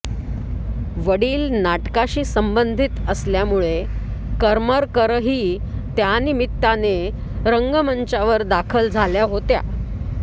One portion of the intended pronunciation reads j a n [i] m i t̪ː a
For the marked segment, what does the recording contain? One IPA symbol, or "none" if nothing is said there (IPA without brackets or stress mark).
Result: i